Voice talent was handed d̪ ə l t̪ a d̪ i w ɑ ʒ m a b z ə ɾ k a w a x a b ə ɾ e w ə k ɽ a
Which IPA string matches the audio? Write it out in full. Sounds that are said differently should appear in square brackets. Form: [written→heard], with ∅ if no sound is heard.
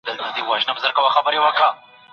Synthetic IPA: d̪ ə l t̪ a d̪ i w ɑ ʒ [m→n] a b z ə ɾ k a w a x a b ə ɾ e w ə k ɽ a